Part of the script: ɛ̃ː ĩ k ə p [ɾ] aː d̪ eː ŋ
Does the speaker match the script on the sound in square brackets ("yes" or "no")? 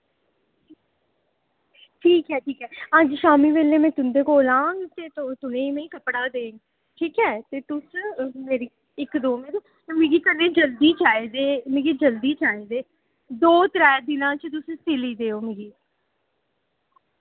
no